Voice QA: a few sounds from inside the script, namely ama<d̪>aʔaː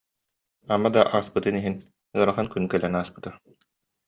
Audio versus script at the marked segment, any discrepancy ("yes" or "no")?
no